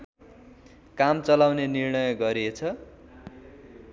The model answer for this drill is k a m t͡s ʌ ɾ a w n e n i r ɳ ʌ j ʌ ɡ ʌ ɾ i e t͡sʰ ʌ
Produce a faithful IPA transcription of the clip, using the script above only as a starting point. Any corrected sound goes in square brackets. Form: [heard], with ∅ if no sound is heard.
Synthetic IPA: k a m t͡s ʌ [l] a w n e n i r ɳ ʌ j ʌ ɡ ʌ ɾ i e t͡sʰ ʌ